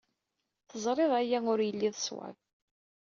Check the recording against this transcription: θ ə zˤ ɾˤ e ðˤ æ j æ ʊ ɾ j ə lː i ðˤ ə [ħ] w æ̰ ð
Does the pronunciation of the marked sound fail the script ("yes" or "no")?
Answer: yes